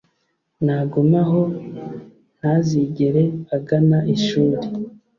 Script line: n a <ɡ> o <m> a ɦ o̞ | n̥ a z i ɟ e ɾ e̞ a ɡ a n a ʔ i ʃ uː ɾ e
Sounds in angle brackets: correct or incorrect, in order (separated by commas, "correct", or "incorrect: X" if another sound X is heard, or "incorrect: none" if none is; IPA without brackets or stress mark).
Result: correct, correct